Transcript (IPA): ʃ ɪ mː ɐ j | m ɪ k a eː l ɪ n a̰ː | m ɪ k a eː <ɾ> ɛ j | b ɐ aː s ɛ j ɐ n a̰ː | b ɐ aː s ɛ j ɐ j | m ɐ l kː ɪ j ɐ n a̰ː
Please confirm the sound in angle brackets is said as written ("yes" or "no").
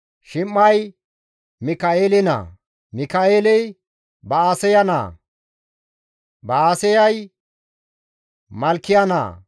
no